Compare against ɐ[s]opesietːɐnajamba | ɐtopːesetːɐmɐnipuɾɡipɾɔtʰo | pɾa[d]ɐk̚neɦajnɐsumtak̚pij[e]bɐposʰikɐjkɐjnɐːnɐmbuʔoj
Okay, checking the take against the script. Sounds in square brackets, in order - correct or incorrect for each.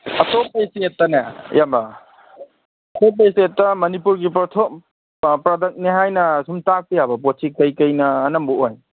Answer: incorrect: t, correct, incorrect: a

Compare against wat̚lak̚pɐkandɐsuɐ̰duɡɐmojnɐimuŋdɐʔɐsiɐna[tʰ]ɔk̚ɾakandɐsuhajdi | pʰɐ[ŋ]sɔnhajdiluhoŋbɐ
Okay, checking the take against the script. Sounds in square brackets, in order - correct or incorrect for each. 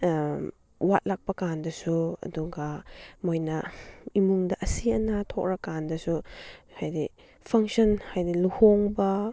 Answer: correct, correct

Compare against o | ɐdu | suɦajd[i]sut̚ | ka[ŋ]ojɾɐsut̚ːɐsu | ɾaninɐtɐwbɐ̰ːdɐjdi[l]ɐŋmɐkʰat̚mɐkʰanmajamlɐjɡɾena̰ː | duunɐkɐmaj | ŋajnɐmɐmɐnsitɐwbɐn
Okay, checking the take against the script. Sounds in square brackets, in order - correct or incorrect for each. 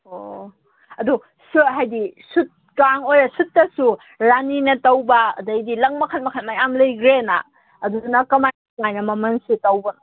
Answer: correct, correct, correct

